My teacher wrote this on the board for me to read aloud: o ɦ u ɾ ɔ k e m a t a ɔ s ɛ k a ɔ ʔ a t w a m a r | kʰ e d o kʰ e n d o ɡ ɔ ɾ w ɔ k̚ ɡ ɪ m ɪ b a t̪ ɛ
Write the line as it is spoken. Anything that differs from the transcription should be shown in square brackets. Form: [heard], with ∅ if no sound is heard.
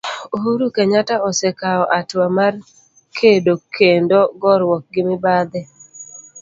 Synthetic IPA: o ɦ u ɾ [u] k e [ɲ] a t a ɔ s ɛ k a ɔ ʔ a t w a m a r | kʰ e d o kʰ e n d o ɡ ɔ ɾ w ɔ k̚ ɡ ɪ m ɪ b a [d̪] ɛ